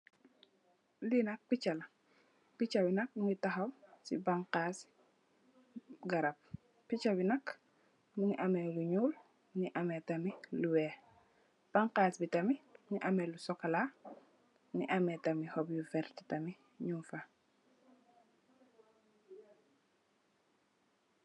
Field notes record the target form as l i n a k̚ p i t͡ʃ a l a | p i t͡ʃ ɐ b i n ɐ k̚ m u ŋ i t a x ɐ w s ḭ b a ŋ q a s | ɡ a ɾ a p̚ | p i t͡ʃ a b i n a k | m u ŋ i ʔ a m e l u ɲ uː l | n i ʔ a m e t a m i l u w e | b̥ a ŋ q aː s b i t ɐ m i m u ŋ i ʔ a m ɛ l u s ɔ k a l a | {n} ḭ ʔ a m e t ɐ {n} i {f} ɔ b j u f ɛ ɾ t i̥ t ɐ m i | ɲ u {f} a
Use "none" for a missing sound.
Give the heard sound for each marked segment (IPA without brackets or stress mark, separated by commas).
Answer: n, m, h, f